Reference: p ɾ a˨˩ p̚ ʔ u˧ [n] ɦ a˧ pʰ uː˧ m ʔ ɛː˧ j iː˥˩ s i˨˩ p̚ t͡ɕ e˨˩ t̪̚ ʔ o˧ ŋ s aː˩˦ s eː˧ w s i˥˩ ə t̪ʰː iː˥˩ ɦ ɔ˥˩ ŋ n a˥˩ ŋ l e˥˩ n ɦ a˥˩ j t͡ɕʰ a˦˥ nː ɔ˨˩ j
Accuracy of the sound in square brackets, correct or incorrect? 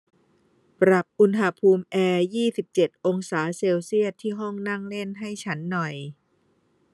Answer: correct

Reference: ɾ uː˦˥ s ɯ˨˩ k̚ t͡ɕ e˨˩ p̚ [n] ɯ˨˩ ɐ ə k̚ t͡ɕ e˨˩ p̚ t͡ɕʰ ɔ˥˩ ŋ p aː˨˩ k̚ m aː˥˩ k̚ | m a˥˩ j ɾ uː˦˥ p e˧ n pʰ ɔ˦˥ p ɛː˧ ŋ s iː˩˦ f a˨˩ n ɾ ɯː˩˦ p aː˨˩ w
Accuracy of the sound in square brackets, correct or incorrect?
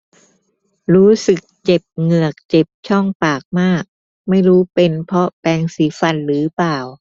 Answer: incorrect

